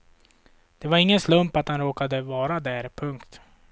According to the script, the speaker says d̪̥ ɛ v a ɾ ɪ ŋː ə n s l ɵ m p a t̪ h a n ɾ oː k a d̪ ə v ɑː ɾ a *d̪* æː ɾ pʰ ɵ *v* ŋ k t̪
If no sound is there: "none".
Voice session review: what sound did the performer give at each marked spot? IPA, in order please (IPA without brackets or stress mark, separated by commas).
d̪, none